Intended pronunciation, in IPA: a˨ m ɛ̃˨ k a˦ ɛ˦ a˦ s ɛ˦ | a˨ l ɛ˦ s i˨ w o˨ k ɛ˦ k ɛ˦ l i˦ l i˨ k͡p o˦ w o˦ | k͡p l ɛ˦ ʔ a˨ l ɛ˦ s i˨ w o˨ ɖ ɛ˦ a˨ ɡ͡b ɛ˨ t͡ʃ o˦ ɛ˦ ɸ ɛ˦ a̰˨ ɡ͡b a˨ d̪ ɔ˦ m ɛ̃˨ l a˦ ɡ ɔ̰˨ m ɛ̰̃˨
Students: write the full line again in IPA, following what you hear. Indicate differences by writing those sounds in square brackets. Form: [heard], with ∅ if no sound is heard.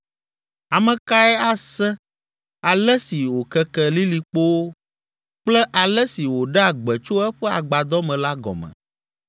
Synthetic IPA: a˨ m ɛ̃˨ k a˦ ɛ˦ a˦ s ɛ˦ | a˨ l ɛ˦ s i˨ w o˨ k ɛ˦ k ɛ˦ l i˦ l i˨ k͡p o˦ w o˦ | k͡p l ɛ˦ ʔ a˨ l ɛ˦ s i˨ w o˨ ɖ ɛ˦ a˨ ɡ͡b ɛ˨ t͡ʃ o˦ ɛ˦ ɸ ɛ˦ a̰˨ ɡ͡b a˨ d̪ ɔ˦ m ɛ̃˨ l a˦ ɡ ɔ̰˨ m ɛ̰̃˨

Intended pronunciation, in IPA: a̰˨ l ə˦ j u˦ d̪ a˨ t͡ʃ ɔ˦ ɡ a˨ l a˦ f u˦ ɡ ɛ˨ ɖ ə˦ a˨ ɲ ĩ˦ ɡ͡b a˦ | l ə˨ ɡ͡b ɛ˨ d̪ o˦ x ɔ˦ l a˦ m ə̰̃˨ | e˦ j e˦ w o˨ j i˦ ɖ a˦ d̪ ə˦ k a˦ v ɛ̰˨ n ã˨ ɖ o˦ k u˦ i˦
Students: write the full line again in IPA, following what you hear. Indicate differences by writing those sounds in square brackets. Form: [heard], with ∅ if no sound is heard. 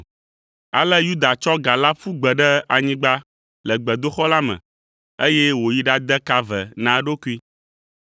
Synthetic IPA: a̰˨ l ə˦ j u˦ d̪ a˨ t͡ʃ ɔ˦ ɡ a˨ l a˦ f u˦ [ɡ͡b] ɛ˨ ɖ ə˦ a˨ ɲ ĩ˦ ɡ͡b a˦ | l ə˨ ɡ͡b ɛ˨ d̪ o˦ x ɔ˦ l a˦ m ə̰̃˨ | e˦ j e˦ w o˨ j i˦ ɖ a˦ d̪ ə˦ k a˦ v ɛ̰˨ n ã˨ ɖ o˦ k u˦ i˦

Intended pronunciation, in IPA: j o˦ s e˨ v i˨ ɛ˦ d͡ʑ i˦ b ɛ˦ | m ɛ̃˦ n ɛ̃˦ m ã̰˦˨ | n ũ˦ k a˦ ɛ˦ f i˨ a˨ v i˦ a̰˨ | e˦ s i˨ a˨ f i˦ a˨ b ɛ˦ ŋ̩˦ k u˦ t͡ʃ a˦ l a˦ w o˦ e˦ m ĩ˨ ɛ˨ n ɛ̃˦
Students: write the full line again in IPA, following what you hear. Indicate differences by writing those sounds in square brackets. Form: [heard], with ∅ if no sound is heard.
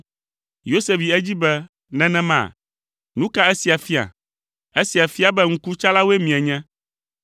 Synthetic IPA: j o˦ s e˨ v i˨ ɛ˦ d͡ʑ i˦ b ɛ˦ | [n] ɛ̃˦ n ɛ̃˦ m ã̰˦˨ | n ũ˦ k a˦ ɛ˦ [s] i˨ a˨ [f] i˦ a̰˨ | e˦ s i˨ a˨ f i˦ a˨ b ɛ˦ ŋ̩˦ k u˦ t͡ʃ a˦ l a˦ w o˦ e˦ m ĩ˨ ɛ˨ [ɲ] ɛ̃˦

